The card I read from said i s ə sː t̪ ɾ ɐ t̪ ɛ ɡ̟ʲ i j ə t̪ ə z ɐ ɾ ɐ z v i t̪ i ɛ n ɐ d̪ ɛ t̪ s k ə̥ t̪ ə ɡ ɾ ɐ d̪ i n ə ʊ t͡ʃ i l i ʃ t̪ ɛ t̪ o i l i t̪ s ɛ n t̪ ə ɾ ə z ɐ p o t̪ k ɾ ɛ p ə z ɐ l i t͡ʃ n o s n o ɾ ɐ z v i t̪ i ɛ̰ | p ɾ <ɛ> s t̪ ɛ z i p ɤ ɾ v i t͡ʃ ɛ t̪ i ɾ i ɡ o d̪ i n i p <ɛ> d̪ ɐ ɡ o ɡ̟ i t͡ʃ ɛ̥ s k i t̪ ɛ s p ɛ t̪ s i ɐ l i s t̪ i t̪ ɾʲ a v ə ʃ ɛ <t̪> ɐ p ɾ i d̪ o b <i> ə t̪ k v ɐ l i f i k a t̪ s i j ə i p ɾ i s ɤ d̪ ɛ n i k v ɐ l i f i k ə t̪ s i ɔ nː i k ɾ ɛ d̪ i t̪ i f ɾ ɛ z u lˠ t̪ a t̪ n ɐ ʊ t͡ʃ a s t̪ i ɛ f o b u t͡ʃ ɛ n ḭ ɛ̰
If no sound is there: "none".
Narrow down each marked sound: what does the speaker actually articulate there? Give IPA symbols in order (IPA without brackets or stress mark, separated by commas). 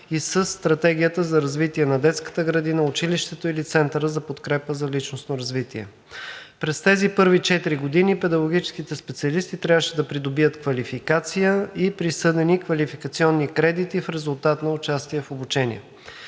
ɛ, ɛ, d̪, i